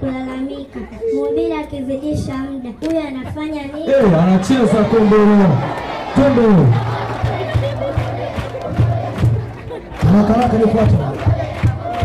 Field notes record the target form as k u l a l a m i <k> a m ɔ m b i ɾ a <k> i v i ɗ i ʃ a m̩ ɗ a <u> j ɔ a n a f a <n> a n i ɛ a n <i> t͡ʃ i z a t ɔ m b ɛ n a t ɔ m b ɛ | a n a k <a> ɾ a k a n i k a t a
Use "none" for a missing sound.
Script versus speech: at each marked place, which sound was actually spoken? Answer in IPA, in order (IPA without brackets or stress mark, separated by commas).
k, k, u, ɲ, a, a